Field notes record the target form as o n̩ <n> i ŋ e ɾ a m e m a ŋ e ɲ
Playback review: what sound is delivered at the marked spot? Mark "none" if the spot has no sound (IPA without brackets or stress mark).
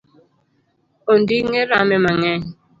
d